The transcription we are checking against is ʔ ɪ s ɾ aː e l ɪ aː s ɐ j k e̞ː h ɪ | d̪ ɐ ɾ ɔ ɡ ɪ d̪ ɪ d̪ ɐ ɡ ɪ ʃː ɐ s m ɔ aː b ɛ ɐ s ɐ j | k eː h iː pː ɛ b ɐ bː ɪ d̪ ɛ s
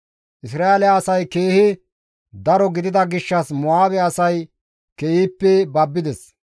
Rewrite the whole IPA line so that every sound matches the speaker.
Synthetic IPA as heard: ʔ ɪ s ɾ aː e l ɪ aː s ɐ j k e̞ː h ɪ | d̪ ɐ ɾ ɔ ɡ ɪ d̪ ɪ d̪ ɐ ɡ ɪ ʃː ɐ s m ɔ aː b ɛ ɐ s ɐ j | k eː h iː pː ɛ b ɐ bː ɪ d̪ ɛ s